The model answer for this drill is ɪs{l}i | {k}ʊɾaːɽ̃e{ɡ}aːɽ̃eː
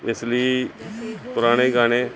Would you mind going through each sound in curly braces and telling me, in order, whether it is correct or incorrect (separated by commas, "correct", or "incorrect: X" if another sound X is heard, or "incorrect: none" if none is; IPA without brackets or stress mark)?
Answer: correct, incorrect: p, correct